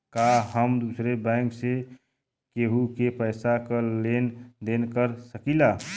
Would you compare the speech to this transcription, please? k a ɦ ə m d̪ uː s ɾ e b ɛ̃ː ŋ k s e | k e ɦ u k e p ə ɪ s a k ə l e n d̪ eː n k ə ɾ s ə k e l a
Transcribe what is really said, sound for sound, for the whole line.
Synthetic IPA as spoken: k a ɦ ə m d̪ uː s ɾ e b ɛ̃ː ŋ k s e | k e ɦ u k e p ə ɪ s a k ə l e n d̪ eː n k ə ɾ s ə k i l a